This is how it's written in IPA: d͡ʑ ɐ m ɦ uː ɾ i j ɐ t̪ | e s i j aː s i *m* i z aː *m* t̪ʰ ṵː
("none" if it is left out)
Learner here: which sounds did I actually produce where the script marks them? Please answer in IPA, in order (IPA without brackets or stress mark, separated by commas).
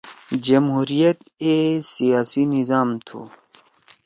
n, m